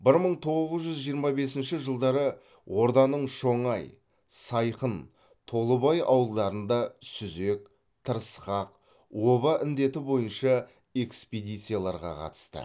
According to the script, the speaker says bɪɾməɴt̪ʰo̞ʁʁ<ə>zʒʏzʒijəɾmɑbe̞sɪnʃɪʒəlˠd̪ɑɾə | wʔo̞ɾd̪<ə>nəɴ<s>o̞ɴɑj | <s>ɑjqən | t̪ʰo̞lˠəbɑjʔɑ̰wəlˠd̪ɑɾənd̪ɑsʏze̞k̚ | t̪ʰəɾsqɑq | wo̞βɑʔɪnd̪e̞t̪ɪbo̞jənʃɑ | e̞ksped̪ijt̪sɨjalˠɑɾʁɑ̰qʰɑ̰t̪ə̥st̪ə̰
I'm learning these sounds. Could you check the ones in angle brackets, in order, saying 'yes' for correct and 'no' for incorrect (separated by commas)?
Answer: yes, no, no, yes